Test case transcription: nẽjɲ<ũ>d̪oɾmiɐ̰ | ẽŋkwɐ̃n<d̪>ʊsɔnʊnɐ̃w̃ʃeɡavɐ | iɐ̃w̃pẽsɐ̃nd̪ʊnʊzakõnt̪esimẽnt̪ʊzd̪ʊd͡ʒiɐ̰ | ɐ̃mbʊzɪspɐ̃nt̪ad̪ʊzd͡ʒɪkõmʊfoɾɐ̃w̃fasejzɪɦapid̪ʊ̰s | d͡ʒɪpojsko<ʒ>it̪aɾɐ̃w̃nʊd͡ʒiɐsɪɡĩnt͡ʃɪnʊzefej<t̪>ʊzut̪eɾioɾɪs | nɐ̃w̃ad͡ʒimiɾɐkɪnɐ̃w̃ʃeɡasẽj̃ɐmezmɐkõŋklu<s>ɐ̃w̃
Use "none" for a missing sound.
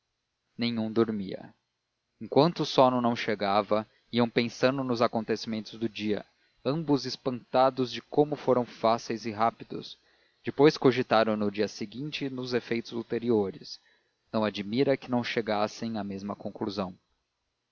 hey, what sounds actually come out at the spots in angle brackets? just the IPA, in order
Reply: ũ, t̪, ʒ, t̪, z

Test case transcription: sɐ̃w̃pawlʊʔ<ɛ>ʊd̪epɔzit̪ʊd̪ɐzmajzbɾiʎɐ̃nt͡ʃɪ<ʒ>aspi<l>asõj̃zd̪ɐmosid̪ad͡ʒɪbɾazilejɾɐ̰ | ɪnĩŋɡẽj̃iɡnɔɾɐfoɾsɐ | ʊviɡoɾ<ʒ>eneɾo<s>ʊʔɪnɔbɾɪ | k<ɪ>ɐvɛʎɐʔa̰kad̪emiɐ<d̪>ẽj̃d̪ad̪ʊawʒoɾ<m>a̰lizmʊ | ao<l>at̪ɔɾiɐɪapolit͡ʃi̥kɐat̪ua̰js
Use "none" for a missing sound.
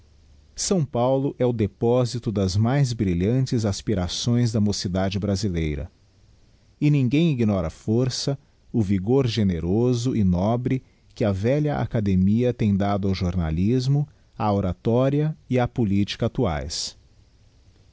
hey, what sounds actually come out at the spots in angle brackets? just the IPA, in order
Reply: ɛ, z, ɾ, ʒ, z, ɪ, t̪, n, ɾ

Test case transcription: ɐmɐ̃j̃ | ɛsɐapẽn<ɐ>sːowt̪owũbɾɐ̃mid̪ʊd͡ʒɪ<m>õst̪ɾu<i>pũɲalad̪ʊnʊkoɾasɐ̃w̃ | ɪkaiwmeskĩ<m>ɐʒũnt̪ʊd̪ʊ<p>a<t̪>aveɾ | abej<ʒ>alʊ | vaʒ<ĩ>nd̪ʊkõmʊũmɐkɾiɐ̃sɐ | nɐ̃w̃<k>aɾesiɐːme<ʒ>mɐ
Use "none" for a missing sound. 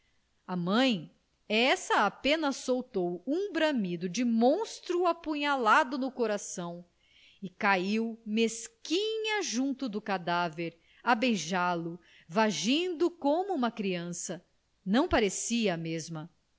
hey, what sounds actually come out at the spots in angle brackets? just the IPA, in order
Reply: ɐ, m, a, ɲ, k, d̪, ʒ, ĩ, p, z

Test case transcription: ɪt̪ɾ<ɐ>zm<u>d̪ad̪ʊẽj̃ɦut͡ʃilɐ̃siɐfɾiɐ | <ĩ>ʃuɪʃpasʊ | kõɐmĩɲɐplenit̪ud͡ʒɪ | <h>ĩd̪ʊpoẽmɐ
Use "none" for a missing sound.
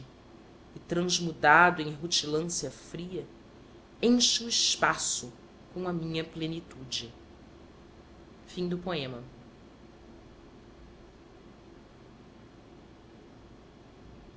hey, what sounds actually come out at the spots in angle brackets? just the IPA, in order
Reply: ɐ̃, u, ẽ, f

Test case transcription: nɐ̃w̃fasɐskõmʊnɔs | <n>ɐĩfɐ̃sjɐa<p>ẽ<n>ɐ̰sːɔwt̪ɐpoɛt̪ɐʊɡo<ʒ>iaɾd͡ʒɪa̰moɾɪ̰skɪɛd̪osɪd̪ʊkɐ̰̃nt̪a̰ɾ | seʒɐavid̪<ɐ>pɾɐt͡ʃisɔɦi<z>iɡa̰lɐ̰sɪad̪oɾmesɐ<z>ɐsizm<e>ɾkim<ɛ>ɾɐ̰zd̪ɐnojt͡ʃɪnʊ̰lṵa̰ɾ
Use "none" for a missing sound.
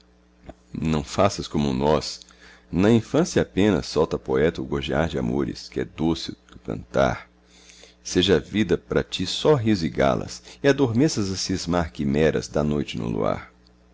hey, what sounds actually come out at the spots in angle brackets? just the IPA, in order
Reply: n, p, n, ʒ, ɐ, z, z, a, ɛ

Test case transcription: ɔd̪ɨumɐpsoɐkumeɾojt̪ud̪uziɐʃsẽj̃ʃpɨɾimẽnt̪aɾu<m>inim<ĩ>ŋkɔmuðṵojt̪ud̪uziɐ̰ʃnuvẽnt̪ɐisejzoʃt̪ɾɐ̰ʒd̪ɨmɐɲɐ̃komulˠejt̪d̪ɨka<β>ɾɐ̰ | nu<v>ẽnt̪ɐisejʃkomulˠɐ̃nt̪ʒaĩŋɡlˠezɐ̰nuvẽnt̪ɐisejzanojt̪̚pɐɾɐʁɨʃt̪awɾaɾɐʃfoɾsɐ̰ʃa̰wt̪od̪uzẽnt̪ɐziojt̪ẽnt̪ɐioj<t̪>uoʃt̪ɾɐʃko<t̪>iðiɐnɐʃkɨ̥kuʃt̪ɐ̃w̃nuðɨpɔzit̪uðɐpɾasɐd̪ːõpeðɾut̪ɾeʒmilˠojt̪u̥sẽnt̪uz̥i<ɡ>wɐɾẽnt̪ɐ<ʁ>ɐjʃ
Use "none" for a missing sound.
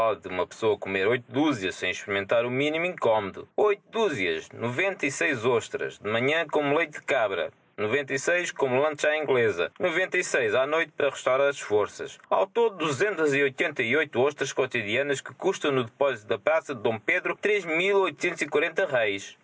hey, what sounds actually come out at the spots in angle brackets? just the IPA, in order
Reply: m, ĩ, β, v, t̪, t̪, k, ʁ

